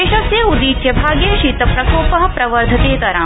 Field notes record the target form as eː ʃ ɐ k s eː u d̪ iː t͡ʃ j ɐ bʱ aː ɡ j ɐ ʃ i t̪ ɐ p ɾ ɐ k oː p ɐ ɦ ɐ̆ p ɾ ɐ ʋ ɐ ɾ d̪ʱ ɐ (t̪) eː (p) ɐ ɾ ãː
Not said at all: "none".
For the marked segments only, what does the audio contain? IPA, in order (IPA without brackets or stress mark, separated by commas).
t̪, k